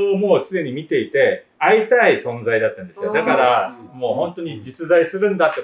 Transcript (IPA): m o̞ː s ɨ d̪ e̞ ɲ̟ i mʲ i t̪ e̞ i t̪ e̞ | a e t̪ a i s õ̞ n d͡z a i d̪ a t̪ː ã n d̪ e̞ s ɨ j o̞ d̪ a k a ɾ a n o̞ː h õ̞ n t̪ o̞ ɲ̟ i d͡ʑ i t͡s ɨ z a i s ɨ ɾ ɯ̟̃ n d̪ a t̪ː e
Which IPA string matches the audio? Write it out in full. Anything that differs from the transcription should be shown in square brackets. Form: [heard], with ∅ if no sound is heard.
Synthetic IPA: m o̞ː s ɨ d̪ e̞ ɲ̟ i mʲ i t̪ e̞ i t̪ e̞ | a [i] t̪ a i s õ̞ n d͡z a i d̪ a t̪ː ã n d̪ e̞ s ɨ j o̞ d̪ a k a ɾ a [m] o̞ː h õ̞ n t̪ o̞ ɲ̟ i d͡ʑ i t͡s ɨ z a i s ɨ ɾ ɯ̟̃ n d̪ a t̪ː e